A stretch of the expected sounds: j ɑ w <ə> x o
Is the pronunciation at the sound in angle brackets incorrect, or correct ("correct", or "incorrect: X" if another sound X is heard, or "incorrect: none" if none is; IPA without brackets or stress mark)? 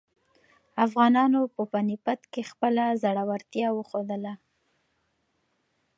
correct